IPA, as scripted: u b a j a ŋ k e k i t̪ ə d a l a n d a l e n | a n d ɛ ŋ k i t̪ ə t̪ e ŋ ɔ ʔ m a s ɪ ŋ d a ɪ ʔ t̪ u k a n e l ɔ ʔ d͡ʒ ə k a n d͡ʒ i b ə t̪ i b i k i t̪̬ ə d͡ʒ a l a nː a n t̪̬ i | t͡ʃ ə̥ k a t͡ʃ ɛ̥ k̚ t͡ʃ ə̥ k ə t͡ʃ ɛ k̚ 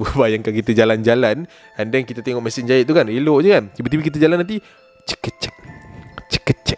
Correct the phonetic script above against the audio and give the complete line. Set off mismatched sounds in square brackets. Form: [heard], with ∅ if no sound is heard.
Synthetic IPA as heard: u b a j a ŋ k [a] k i t̪ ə [d͡ʒ] a l a n [d͡ʒ] a l [a] n | a n d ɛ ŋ k i t̪ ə t̪ e ŋ ɔ ʔ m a s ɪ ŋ [d͡ʒ] a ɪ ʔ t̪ u k a n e l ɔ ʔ d͡ʒ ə k a n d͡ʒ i b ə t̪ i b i k i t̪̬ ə d͡ʒ a l a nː a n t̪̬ i | t͡ʃ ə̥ k [ə] t͡ʃ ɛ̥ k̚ t͡ʃ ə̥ k ə t͡ʃ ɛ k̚